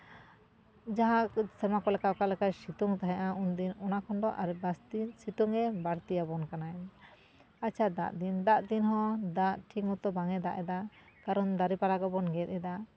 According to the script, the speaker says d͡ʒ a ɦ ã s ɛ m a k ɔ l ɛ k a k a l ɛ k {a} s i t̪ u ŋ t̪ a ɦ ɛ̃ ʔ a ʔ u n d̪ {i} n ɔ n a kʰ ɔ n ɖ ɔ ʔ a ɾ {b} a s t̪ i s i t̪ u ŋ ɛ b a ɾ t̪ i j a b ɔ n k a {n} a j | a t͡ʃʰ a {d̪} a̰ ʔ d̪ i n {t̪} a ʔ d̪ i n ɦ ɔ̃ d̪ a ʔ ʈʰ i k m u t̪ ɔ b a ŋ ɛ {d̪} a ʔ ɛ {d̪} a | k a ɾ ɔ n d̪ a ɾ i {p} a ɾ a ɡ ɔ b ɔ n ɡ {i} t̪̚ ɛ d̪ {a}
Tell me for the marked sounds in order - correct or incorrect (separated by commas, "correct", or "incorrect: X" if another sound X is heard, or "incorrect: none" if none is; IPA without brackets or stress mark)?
correct, correct, correct, correct, correct, incorrect: d̪, correct, correct, correct, incorrect: ɛ, correct